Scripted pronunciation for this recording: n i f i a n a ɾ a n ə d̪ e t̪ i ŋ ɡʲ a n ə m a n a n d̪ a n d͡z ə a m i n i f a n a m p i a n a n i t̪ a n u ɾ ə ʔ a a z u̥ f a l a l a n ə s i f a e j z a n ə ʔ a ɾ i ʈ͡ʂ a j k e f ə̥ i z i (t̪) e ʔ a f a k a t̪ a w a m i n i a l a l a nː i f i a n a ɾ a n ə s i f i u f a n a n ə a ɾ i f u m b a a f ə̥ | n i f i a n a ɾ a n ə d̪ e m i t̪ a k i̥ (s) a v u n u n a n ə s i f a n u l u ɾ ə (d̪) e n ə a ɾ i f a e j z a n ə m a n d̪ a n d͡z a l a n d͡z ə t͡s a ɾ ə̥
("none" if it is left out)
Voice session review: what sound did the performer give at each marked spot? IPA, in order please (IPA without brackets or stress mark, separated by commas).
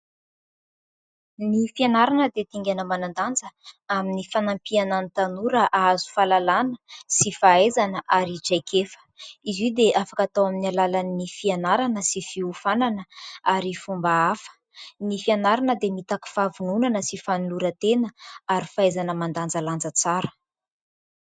d̪, f, t̪